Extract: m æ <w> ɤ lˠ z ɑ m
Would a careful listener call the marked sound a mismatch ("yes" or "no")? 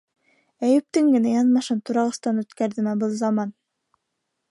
yes